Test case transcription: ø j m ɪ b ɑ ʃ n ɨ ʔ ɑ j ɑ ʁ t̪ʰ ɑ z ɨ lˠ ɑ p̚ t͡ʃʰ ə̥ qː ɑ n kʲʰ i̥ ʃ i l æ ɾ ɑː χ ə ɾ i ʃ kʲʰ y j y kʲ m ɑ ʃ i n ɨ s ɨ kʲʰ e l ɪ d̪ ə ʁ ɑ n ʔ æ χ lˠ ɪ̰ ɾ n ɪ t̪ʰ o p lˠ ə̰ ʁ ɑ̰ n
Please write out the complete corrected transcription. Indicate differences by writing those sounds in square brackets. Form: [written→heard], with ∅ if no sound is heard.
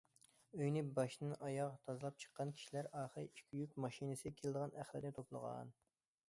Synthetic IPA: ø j [m→n] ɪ b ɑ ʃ n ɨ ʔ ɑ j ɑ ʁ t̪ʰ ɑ z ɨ lˠ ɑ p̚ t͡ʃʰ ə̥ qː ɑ n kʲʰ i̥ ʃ i l æ ɾ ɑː χ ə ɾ i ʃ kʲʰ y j y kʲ m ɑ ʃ i n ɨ s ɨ kʲʰ e l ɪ d̪ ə ʁ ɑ n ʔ æ χ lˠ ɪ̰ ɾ n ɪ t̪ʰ o p lˠ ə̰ ʁ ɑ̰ n